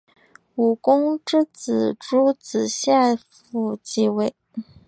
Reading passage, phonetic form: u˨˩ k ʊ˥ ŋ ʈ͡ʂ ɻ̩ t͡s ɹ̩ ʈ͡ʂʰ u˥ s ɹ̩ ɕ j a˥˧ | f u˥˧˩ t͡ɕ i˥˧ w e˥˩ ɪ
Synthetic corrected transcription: u˨˩ k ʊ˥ ŋ ʈ͡ʂ ɻ̩ t͡s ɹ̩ ʈ͡ʂ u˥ t͡s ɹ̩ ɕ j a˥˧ | f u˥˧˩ t͡ɕ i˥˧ w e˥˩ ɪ